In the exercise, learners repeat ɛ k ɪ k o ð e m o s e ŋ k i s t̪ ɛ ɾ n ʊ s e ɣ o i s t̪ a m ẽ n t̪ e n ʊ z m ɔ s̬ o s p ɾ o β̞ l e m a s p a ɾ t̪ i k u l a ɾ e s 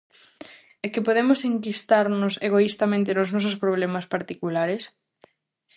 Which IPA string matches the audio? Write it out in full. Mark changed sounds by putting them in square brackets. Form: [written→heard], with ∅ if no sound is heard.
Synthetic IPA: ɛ k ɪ [k→p] o ð e m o s e ŋ k i s t̪ [ɛ→a] ɾ n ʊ s e ɣ o i s t̪ a m ẽ n t̪ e n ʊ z [m→n] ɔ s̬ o s p ɾ o β̞ l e m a s p a ɾ t̪ i k u l a ɾ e s